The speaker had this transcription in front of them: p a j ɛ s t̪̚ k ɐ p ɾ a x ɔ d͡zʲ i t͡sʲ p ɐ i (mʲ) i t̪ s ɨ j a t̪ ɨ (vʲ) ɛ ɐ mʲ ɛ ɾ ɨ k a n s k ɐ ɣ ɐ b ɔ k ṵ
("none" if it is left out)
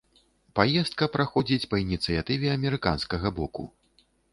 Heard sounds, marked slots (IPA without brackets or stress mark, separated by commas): nʲ, vʲ